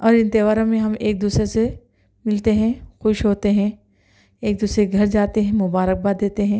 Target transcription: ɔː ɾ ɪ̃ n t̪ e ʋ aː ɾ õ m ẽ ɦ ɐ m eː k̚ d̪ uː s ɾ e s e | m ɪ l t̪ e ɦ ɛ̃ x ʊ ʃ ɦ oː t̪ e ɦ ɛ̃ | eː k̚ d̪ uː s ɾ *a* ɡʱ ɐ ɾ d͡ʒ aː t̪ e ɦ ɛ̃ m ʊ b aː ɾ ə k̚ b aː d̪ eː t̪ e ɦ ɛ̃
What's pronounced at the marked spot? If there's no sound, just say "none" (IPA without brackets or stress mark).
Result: e